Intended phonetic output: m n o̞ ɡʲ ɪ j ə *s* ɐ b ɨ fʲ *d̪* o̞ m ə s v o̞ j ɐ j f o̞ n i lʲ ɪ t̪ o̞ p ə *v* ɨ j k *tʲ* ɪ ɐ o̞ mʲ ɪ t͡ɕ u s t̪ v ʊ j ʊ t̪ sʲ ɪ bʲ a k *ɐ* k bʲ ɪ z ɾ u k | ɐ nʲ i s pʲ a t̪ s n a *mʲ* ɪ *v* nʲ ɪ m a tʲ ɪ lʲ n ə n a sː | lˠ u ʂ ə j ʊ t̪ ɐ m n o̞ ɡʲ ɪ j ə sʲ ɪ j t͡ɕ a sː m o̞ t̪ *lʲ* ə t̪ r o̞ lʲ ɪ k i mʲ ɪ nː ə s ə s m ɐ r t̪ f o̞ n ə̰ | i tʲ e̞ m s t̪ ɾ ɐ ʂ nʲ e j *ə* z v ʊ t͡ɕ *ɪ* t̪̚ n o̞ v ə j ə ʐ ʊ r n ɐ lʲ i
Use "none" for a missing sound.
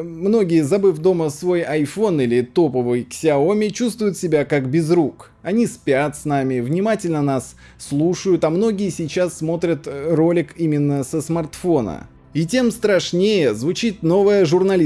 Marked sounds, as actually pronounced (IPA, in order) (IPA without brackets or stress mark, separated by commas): z, d̪, v, sʲ, a, mʲ, v, ɾʲ, ə, i